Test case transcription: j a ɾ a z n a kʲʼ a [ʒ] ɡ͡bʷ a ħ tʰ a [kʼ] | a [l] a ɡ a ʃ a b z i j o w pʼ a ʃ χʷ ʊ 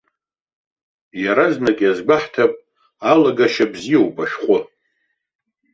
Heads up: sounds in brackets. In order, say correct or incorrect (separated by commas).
incorrect, incorrect, correct